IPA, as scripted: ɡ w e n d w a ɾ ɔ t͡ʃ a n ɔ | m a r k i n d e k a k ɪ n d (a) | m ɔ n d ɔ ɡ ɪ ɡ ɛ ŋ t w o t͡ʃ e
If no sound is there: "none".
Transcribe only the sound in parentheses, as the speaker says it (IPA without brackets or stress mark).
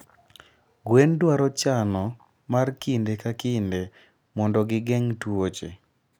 e